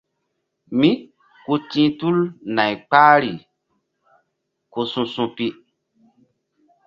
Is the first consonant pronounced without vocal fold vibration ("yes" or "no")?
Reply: no